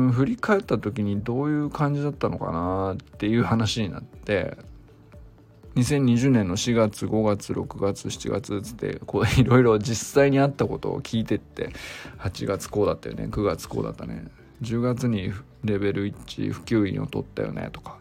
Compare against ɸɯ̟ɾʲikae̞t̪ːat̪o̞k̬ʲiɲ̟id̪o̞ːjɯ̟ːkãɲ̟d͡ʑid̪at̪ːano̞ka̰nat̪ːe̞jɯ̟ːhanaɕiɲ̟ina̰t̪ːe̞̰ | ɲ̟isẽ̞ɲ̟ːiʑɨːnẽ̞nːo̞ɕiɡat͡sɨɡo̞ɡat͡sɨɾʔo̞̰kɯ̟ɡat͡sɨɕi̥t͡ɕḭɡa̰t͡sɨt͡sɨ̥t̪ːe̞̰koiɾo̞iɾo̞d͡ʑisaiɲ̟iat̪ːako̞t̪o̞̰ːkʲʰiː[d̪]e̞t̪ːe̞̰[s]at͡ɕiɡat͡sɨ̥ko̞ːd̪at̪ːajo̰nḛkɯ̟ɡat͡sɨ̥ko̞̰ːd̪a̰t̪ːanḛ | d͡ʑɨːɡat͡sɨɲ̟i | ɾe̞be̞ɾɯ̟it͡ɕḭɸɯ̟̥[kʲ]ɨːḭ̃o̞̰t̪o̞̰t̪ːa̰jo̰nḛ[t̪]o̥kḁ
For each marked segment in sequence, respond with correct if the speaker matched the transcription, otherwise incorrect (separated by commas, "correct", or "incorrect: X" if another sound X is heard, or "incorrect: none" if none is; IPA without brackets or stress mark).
incorrect: t̪, incorrect: h, correct, correct